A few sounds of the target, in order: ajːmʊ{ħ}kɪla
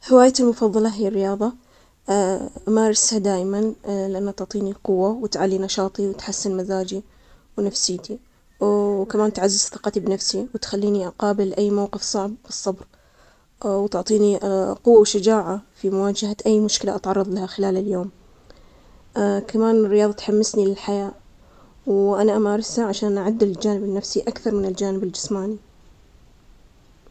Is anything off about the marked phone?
yes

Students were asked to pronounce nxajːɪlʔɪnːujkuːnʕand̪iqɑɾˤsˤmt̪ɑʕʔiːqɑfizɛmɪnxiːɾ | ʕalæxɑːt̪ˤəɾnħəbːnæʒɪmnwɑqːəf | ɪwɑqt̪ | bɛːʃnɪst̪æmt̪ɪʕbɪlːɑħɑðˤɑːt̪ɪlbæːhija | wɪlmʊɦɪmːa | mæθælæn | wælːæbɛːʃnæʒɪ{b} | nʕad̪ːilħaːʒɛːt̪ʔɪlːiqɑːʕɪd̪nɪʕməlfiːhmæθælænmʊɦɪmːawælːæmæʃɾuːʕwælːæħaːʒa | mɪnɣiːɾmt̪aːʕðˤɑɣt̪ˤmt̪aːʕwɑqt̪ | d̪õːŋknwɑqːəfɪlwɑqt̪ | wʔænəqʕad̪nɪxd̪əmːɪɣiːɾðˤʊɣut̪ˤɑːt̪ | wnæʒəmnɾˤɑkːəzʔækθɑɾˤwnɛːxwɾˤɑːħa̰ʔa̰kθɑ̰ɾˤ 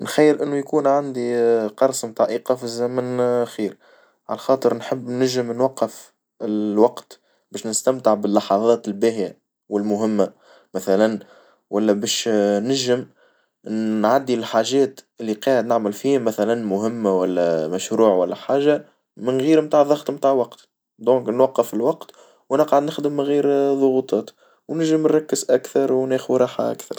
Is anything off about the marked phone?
yes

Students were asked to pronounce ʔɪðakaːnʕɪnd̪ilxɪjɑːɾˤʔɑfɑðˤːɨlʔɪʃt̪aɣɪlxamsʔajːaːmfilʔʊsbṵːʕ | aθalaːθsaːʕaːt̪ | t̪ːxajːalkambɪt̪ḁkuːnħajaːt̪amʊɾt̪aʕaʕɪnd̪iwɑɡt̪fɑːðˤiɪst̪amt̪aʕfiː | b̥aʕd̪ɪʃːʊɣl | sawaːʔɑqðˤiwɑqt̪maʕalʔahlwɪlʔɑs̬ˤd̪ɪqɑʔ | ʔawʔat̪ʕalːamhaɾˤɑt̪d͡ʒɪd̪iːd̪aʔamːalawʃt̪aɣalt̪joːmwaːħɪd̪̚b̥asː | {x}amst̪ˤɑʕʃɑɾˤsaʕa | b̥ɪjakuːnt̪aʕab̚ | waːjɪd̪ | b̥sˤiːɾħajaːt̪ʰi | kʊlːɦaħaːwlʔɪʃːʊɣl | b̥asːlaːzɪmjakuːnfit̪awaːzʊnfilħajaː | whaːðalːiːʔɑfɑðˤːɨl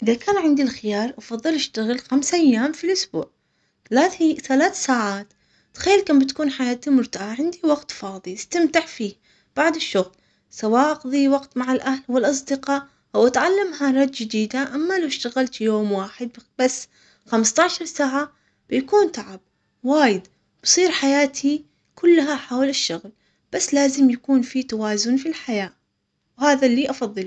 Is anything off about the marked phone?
no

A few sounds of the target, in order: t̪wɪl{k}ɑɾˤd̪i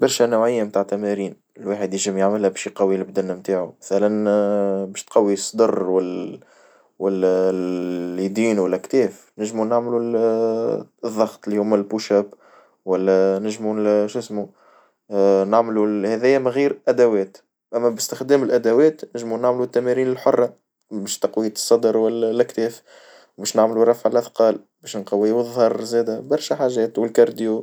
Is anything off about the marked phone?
no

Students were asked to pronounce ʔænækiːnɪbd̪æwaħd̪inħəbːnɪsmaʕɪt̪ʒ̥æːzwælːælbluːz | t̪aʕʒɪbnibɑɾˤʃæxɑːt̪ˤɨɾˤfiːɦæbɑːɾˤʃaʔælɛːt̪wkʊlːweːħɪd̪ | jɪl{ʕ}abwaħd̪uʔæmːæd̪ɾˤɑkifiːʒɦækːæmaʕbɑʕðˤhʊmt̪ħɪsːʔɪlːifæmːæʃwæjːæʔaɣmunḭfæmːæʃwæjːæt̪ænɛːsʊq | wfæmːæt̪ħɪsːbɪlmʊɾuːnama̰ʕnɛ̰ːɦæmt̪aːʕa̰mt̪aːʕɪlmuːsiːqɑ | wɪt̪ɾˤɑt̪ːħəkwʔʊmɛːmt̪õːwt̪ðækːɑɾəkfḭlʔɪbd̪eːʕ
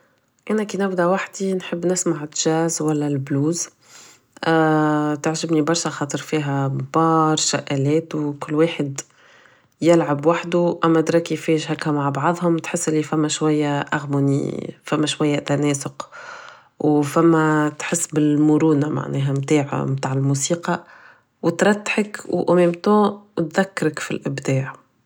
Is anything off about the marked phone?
no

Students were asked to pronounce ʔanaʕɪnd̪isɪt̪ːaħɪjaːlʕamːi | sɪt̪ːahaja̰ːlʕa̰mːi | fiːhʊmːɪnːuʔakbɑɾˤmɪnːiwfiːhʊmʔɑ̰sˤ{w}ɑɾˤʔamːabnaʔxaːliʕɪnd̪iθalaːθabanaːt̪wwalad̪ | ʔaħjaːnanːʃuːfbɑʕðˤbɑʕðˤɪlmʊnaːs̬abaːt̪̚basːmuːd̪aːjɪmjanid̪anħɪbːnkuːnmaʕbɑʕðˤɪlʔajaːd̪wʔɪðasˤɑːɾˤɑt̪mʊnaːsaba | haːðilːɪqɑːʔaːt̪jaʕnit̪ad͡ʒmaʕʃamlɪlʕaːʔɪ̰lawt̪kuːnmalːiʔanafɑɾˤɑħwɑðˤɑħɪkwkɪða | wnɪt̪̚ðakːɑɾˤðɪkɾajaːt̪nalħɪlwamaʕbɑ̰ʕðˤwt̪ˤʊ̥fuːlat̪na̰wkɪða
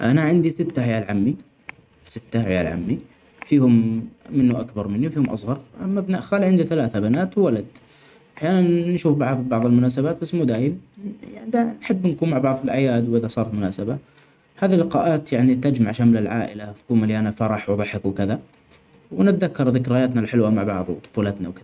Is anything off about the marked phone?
yes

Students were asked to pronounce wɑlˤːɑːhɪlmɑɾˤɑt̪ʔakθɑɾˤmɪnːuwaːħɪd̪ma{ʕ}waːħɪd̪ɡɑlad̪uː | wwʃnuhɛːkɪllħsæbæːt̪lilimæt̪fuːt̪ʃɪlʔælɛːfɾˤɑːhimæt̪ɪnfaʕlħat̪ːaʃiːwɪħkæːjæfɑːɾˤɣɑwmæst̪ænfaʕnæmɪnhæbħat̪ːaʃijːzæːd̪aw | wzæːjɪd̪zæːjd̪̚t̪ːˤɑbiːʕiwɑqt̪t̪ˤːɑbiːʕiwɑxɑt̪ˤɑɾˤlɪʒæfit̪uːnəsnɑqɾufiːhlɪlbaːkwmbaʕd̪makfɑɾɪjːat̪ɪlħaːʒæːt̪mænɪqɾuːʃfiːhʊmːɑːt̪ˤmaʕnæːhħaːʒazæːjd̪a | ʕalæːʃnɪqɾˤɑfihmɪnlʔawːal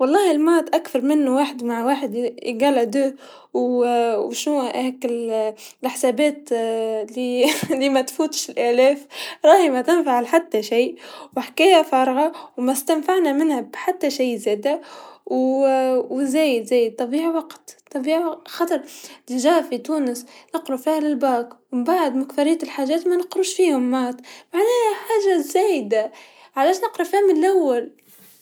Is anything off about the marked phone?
no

